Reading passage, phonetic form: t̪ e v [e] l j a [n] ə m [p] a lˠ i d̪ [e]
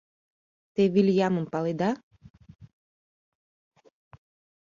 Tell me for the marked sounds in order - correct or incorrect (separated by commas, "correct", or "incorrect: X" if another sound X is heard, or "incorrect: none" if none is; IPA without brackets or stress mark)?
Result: incorrect: i, incorrect: m, correct, incorrect: a